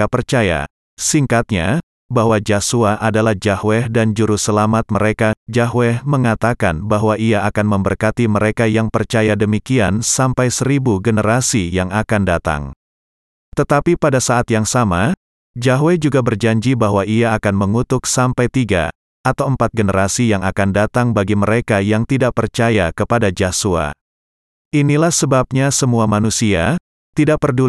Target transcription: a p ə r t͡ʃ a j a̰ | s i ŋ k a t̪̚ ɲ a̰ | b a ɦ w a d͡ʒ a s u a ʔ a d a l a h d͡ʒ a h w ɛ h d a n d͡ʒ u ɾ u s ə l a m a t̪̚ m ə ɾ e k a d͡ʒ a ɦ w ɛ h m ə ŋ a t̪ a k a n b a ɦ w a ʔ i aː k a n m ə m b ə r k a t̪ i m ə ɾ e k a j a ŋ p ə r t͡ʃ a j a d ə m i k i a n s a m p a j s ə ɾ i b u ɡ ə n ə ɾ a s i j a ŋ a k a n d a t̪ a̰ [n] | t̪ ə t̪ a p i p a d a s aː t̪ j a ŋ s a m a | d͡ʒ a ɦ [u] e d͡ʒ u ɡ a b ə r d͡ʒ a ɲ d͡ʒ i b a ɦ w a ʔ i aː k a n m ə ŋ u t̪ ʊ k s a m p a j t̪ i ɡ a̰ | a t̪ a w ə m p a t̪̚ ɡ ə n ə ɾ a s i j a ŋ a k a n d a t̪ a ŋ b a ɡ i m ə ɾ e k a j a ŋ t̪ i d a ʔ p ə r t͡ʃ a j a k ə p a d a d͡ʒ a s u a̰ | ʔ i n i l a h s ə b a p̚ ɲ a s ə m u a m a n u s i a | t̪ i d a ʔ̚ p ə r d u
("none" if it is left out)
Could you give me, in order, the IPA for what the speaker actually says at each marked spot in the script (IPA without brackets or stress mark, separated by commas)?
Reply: ŋ, w